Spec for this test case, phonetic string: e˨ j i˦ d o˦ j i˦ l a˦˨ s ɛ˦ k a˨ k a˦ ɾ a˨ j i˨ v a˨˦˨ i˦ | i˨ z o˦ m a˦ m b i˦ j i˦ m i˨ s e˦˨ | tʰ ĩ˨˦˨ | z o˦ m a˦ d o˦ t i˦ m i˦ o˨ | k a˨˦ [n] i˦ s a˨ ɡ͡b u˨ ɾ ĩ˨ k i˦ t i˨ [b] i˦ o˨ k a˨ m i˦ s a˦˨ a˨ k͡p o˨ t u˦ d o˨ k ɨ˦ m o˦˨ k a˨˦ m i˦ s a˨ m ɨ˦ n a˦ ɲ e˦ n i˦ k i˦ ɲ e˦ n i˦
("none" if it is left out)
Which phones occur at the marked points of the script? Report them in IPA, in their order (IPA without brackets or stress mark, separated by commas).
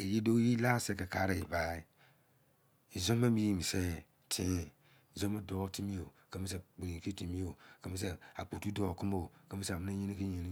m, m